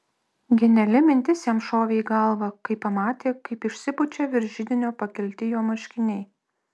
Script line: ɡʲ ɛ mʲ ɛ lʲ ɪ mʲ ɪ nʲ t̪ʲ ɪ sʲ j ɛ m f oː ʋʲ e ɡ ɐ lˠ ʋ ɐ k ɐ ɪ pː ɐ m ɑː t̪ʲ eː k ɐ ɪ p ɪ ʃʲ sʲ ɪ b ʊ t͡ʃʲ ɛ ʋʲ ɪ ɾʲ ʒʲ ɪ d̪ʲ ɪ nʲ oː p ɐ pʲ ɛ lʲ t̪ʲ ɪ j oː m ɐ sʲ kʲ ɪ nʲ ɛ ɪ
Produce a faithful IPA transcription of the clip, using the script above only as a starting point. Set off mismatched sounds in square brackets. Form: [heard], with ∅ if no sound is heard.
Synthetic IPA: ɡʲ ɛ [nʲ] ɛ lʲ ɪ mʲ ɪ nʲ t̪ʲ ɪ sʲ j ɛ m [ʃ] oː ʋʲ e ɡ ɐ lˠ ʋ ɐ k ɐ ɪ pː ɐ m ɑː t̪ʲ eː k ɐ ɪ p ɪ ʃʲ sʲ ɪ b ʊ t͡ʃʲ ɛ ʋʲ ɪ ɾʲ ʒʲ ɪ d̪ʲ ɪ nʲ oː p ɐ [kʲ] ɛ lʲ t̪ʲ ɪ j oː m ɐ [ʃʲ] kʲ ɪ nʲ ɛ ɪ

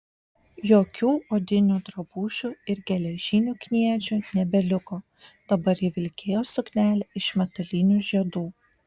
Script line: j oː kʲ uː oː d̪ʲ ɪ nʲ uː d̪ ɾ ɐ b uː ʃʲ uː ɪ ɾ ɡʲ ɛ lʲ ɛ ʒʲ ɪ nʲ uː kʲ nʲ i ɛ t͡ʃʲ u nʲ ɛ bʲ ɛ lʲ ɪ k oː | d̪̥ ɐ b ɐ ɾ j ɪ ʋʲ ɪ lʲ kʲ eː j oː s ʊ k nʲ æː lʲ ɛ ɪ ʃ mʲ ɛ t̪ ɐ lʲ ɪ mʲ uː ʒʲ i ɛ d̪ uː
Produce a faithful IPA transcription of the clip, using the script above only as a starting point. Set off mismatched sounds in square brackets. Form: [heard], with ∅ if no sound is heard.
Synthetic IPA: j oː kʲ uː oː d̪ʲ ɪ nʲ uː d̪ ɾ ɐ b uː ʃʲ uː ɪ ɾ ɡʲ ɛ lʲ ɛ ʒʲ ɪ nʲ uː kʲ nʲ i ɛ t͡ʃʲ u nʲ ɛ bʲ ɛ lʲ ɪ k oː | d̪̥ ɐ b ɐ ɾ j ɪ ʋʲ ɪ lʲ kʲ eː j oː s ʊ k nʲ æː lʲ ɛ ɪ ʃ mʲ ɛ t̪ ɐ lʲ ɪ [nʲ] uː ʒʲ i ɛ d̪ uː

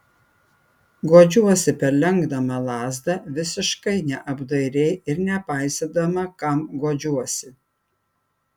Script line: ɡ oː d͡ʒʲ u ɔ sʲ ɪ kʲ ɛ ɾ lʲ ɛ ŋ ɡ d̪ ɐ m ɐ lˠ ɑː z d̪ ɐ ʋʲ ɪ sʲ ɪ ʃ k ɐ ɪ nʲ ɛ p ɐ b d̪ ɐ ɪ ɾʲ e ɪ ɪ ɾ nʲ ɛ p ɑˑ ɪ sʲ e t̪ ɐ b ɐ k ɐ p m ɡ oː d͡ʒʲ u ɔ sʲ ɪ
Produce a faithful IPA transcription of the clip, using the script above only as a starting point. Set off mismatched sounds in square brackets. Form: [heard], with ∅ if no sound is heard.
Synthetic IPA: ɡ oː d͡ʒʲ u ɔ sʲ ɪ [pʲ] ɛ ɾ lʲ ɛ ŋ ɡ d̪ ɐ m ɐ lˠ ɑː z d̪ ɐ ʋʲ ɪ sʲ ɪ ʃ k ɐ ɪ nʲ ɛ [ʔ] ɐ b d̪ ɐ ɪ ɾʲ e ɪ ɪ ɾ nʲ ɛ p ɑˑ ɪ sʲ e [d̪] ɐ [m] ɐ k ɐ [∅] m ɡ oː d͡ʒʲ u ɔ sʲ ɪ

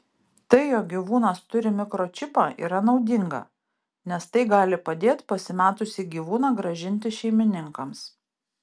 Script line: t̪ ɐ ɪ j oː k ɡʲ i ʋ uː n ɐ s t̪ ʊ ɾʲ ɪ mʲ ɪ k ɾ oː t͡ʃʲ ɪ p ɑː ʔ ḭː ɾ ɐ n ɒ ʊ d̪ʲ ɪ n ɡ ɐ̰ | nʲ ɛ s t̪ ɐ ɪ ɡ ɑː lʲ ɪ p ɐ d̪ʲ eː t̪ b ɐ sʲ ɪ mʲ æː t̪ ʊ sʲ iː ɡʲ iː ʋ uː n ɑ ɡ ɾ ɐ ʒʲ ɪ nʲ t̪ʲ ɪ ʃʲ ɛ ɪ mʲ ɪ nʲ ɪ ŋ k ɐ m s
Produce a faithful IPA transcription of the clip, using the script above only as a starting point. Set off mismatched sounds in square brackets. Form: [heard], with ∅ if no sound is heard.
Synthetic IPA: t̪ ɐ ɪ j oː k ɡʲ i ʋ uː n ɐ s t̪ ʊ ɾʲ ɪ mʲ ɪ k ɾ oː t͡ʃʲ ɪ p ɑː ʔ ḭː ɾ ɐ n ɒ ʊ d̪ʲ ɪ [ŋ] ɡ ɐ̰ | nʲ ɛ s t̪ ɐ ɪ ɡ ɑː lʲ ɪ p ɐ d̪ʲ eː t̪ [p] ɐ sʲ ɪ mʲ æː t̪ ʊ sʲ iː ɡʲ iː ʋ uː n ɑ ɡ ɾ ɐ ʒʲ ɪ nʲ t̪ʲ ɪ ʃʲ ɛ ɪ mʲ ɪ nʲ ɪ ŋ k ɐ m s

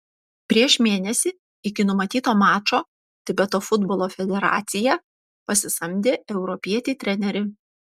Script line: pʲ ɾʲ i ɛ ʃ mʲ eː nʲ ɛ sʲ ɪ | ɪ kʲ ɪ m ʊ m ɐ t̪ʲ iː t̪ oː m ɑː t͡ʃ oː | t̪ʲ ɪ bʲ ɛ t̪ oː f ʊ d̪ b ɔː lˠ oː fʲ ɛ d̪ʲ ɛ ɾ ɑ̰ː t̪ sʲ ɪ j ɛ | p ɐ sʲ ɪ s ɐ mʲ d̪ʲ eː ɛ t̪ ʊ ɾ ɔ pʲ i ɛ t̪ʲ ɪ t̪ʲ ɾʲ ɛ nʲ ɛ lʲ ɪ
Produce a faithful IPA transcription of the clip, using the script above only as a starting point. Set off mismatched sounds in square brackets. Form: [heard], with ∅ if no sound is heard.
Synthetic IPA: pʲ ɾʲ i ɛ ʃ mʲ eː nʲ ɛ sʲ ɪ | ɪ kʲ ɪ [n] ʊ m ɐ t̪ʲ iː t̪ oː m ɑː t͡ʃ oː | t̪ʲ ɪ bʲ ɛ t̪ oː f ʊ d̪ b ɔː lˠ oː fʲ ɛ d̪ʲ ɛ ɾ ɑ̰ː t̪ sʲ ɪ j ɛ | p ɐ sʲ ɪ s ɐ mʲ d̪ʲ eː ɛ [∅] ʊ ɾ ɔ pʲ i ɛ t̪ʲ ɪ t̪ʲ ɾʲ ɛ nʲ ɛ [ɾʲ] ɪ

